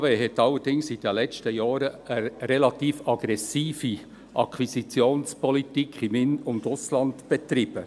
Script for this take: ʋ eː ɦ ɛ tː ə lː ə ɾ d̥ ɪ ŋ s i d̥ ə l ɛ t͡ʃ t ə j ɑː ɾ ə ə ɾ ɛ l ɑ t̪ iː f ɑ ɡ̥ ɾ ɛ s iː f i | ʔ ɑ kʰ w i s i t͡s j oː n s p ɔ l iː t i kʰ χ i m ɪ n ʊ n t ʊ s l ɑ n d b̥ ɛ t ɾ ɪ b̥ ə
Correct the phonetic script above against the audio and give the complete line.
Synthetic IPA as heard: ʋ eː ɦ ɛ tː ɑ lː ə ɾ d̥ ɪ ŋ s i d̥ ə l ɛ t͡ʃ t ə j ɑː ɾ ə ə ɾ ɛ l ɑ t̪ iː f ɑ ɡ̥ ɾ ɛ s iː f i | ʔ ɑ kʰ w i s i t͡s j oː n s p ɔ l i t i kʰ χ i m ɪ n ʊ n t ʊ s l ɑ n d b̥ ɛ t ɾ ɪ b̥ ə